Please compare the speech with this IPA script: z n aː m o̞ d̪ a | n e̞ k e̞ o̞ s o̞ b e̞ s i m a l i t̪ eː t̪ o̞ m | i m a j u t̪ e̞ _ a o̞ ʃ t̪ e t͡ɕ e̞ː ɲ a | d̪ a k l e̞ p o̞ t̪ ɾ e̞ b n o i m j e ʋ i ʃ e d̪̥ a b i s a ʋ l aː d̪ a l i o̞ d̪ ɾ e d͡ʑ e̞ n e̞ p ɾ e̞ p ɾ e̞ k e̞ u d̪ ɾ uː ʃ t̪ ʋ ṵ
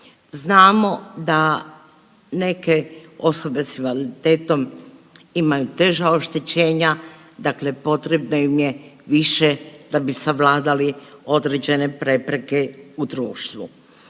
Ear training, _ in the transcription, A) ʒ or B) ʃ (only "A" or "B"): A